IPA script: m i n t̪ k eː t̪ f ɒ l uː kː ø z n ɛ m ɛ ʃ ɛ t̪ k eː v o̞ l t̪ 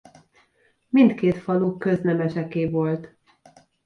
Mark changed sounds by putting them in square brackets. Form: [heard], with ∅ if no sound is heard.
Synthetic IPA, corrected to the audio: m i n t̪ k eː t̪ f ɒ l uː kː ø z n ɛ m ɛ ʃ ɛ [∅] k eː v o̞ l t̪